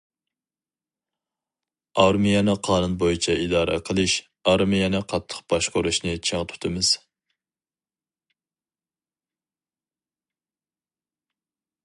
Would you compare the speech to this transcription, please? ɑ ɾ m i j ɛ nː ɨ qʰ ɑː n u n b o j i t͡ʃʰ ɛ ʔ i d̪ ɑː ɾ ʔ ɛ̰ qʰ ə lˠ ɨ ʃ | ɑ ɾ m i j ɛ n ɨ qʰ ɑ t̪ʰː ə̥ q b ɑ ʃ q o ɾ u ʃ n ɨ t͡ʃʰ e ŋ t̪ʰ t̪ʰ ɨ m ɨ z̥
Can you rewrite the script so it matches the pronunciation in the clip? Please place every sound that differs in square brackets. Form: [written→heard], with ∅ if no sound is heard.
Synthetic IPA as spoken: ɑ ɾ m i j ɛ [nː→n] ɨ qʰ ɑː n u n b o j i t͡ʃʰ ɛ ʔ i d̪ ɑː ɾ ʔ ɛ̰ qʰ ə lˠ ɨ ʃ | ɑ ɾ m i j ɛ n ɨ qʰ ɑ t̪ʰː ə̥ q b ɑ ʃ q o ɾ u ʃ n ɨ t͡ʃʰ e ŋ t̪ʰ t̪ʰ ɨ m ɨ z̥